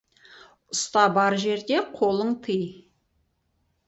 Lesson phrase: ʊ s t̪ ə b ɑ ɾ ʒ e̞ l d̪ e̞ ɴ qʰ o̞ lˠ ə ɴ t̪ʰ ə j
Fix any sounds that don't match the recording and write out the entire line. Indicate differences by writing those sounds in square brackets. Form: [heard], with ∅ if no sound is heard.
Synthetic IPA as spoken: ʊ s t̪ [ɑ] b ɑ ɾ ʒ e̞ [ɾ] d̪ e̞ [∅] qʰ o̞ lˠ ə ɴ t̪ʰ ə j